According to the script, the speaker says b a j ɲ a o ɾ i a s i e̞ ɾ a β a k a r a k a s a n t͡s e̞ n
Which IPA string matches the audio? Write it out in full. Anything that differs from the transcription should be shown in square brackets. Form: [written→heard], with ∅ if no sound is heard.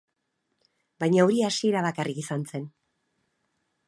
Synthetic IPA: b a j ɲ a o ɾ i a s i e̞ ɾ a β a k a r [a→i] k [a→i] s a n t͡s e̞ n

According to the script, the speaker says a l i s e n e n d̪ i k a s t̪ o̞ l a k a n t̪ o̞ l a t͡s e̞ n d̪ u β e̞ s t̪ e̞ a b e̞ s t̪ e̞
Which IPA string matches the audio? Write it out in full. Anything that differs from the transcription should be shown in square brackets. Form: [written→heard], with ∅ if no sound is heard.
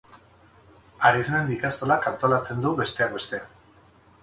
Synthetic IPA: a [l→ɾ] i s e n e n d̪ i k a s t̪ o̞ l a k a n t̪ o̞ l a t͡s e̞ n d̪ u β e̞ s t̪ e̞ a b e̞ s t̪ e̞

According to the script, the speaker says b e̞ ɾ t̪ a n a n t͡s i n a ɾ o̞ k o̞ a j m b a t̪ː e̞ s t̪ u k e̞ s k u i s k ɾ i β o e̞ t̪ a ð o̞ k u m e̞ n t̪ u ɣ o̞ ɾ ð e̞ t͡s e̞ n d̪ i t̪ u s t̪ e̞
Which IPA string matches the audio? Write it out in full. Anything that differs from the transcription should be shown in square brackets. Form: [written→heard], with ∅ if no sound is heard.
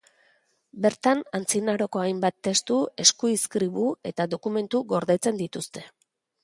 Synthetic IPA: b e̞ ɾ t̪ a n a n t͡s i n a ɾ o̞ k o̞ a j m b a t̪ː e̞ s t̪ u [k→∅] e̞ s k u i s k ɾ i β [o→u] e̞ t̪ a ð o̞ k u m e̞ n t̪ u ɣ o̞ ɾ ð e̞ t͡s e̞ n d̪ i t̪ u s t̪ e̞

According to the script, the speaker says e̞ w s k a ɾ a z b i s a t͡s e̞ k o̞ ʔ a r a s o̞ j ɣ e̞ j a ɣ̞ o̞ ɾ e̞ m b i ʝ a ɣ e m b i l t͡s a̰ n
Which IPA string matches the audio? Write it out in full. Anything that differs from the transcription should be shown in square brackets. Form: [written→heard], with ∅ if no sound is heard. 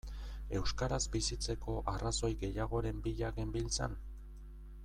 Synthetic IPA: e̞ w s k a ɾ a z b i s [a→i] t͡s e̞ k o̞ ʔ a r a s o̞ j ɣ e̞ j a ɣ̞ o̞ ɾ e̞ m b i [ʝ→ʎ] a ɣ e m b i l t͡s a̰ n

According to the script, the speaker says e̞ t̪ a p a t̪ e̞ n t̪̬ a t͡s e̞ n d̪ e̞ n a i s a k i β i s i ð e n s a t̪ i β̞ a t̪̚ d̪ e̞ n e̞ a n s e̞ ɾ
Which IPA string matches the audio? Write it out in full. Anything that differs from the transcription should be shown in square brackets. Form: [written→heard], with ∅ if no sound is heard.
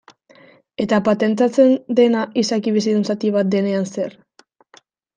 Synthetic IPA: e̞ t̪ a p a t̪ e̞ n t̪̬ a t͡s e̞ n d̪ e̞ n a i s a k i β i s i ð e n s a t̪ i β̞ a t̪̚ d̪ e̞ n e̞ a n s e̞ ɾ

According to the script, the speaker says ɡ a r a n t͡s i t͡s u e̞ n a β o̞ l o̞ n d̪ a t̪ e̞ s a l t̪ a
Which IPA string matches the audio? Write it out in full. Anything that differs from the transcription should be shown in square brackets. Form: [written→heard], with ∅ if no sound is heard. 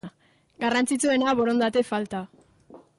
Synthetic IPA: ɡ a r a n t͡s i t͡s u e̞ n a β o̞ [l→ɾ] o̞ n d̪ a t̪ e̞ [s→f] a l t̪ a

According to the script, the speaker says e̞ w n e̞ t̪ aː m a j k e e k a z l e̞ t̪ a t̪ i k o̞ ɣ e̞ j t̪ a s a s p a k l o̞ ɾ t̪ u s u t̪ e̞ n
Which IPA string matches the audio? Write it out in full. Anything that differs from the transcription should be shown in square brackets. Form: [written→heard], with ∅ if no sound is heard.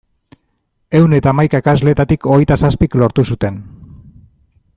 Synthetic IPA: e̞ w n e̞ t̪ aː m a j k [e→a] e k a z l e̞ t̪ a t̪ i k o̞ ɣ e̞ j t̪ a s a s p [a→i] k l o̞ ɾ t̪ u s u t̪ e̞ n

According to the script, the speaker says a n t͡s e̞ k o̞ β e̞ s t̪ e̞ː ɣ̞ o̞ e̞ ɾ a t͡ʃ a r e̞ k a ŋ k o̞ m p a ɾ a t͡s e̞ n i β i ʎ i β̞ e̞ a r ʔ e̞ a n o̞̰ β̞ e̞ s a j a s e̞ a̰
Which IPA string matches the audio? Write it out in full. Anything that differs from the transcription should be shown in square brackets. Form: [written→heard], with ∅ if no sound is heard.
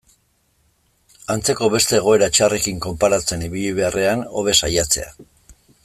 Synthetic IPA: a n t͡s e̞ k o̞ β e̞ s t̪ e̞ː ɣ̞ o̞ e̞ ɾ a t͡ʃ a r e̞ k [a→i] ŋ k o̞ m p a ɾ a t͡s e̞ n i β i ʎ i β̞ e̞ a r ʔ e̞ a n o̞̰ β̞ e̞ s a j a [s→t͡s] e̞ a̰

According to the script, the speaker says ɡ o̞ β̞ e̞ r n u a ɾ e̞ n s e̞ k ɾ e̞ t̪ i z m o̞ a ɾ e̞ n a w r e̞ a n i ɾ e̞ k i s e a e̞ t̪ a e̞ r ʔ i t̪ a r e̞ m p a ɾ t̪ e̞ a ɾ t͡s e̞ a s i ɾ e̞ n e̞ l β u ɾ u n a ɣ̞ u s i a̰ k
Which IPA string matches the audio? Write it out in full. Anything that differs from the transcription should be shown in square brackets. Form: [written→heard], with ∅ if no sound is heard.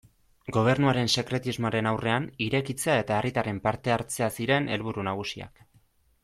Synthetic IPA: ɡ o̞ β̞ e̞ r n u a ɾ e̞ n s e̞ k ɾ e̞ t̪ i z m o̞ a ɾ e̞ n a w r e̞ a n i ɾ e̞ k i [s→t͡s] e a e̞ t̪ a e̞ r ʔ i t̪ a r e̞ m p a ɾ t̪ e̞ a ɾ t͡s e̞ a s i ɾ e̞ n e̞ l β u ɾ u n a ɣ̞ u s i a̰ k

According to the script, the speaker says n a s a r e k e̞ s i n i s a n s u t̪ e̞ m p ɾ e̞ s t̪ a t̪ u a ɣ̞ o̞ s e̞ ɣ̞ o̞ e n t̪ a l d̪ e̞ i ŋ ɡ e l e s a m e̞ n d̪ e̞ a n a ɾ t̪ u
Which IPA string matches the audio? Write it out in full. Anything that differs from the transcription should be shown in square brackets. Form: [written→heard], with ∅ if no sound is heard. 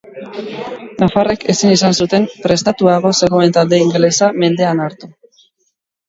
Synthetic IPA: n a [s→f] a r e k e̞ s i n i s a n s u t̪ e̞ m p ɾ e̞ s t̪ a t̪ u a ɣ̞ o̞ s e̞ ɣ̞ o̞ e n t̪ a l d̪ e̞ i ŋ ɡ e l e s a m e̞ n d̪ e̞ a n a ɾ t̪ u

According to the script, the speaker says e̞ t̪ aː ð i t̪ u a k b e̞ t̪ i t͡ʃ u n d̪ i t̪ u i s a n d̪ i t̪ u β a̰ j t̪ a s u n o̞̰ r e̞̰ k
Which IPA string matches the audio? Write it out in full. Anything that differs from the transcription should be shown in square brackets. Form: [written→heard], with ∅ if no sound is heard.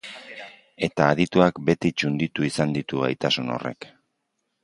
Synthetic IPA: e̞ t̪ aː ð i t̪ u a k b e̞ t̪ i t͡ʃ u n d̪ i t̪ u i s a n d̪ i t̪ u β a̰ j t̪ a s u n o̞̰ r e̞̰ k

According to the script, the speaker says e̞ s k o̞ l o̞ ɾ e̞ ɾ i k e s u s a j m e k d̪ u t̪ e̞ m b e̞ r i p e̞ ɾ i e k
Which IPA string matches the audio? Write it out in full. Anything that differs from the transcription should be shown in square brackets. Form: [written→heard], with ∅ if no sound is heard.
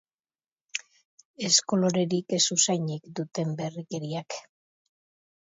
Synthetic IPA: e̞ s k o̞ l o̞ ɾ e̞ ɾ i k e s u s a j [m→ɲ] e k d̪ u t̪ e̞ m b e̞ r i [p→k] e̞ ɾ i [e→a] k

